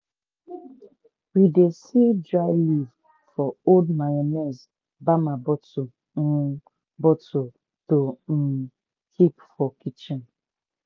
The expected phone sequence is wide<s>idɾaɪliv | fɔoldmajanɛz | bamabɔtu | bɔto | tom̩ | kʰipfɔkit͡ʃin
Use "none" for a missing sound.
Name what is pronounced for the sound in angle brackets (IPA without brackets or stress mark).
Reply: s